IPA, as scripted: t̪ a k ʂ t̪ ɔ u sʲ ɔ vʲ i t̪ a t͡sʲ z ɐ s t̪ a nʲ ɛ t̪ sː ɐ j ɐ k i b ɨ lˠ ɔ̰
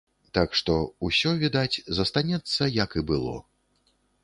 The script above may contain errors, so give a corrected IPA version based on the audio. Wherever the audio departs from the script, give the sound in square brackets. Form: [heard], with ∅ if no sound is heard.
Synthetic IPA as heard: t̪ a k ʂ t̪ ɔ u sʲ ɔ vʲ i [d̪] a t͡sʲ z ɐ s t̪ a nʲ ɛ t̪ sː ɐ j ɐ k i b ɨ lˠ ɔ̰